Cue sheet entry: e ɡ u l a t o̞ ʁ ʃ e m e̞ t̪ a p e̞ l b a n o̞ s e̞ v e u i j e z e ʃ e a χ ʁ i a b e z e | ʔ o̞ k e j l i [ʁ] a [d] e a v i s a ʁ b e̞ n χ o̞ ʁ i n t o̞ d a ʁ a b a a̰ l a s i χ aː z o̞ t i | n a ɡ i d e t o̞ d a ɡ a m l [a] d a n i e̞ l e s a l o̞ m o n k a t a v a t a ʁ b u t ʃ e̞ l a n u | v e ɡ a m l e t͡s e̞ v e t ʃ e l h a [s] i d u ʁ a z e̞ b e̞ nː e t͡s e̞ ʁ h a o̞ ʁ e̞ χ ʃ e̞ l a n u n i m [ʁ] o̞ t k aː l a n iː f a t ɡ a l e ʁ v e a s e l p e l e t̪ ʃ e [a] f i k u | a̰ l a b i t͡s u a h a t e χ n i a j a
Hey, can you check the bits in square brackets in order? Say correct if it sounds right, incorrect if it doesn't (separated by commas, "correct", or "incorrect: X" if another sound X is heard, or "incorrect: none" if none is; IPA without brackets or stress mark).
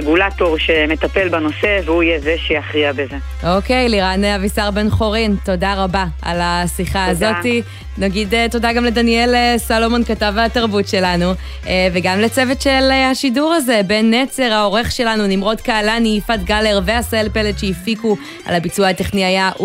correct, incorrect: n, incorrect: e, incorrect: ʃ, correct, incorrect: i